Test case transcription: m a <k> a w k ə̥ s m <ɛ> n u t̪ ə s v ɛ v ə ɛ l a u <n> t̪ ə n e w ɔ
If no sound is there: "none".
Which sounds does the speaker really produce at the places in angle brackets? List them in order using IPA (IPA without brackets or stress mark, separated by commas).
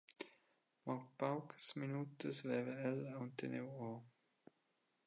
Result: p, i, n